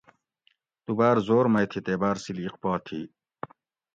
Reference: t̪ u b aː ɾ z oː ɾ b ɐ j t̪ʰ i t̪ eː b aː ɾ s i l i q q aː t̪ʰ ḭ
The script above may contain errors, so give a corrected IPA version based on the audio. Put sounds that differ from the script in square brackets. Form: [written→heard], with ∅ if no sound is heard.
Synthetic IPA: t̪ u b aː ɾ z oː ɾ [b→m] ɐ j t̪ʰ i t̪ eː b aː ɾ s i l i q [q→p] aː t̪ʰ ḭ